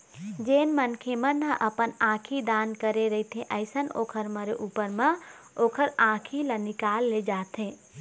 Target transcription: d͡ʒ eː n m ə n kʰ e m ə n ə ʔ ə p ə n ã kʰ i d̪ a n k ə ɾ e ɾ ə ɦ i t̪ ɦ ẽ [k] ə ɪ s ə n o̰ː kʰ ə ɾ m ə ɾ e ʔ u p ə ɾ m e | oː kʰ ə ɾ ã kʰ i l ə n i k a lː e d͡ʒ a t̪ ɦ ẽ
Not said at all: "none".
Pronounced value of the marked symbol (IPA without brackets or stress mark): ʔ